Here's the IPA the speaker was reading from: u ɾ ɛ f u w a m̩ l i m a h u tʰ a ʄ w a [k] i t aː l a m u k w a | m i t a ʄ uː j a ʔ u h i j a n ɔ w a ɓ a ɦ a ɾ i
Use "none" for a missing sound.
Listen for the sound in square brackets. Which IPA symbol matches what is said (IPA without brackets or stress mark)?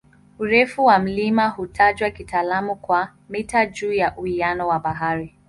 k